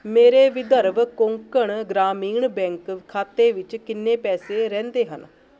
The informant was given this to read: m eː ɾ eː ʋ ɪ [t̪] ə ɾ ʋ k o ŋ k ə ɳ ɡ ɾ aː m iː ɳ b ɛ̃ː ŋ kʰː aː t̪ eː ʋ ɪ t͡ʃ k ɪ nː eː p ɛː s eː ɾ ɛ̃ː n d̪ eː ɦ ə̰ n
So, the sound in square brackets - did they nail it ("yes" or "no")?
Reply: no